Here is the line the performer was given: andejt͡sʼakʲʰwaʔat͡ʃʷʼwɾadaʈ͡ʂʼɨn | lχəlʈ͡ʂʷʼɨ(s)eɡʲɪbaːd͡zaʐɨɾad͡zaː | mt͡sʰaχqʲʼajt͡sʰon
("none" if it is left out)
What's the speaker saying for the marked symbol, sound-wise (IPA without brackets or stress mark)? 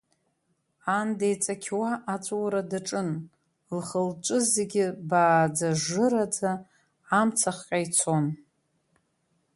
z